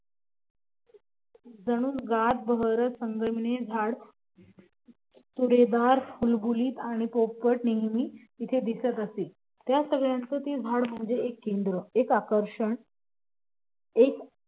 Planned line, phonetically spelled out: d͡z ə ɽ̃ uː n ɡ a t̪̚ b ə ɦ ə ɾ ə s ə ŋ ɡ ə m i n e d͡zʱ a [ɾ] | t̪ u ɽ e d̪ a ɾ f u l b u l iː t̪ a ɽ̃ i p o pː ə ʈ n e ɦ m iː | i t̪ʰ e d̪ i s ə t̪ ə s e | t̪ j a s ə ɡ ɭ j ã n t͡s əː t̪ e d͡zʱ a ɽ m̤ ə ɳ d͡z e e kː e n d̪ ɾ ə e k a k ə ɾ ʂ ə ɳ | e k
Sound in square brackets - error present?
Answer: yes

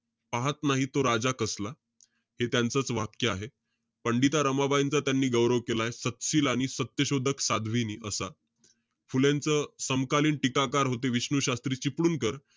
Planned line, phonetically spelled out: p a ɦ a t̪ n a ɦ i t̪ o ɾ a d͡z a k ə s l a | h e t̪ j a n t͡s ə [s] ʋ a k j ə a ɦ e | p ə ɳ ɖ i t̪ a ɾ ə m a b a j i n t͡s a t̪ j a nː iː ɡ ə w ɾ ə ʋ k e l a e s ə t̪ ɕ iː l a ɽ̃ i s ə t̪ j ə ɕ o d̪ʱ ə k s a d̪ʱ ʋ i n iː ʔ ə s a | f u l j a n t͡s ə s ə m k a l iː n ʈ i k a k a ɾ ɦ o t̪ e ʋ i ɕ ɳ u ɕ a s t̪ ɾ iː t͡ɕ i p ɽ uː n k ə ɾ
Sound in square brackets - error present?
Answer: yes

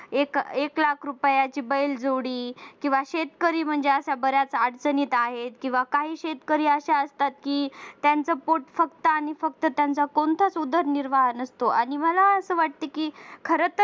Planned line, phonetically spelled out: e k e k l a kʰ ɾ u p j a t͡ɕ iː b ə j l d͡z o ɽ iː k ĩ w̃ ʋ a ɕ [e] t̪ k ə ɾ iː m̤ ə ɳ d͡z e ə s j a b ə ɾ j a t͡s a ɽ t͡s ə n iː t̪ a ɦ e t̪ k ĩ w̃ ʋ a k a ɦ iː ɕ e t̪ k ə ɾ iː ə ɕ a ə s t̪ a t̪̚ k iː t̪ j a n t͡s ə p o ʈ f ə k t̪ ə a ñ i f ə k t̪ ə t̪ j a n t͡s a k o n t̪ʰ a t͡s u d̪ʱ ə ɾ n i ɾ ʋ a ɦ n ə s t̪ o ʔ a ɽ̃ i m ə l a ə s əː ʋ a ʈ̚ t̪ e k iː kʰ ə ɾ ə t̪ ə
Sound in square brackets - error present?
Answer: no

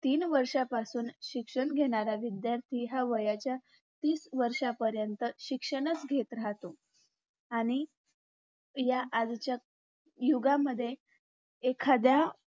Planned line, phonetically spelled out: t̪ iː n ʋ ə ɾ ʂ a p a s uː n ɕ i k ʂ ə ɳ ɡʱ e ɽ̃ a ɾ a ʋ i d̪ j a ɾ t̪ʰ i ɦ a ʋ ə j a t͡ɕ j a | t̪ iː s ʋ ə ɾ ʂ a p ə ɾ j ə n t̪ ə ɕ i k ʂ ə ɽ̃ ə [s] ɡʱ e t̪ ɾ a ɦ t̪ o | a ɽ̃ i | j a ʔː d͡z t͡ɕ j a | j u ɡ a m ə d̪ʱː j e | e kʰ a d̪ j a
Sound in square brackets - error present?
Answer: yes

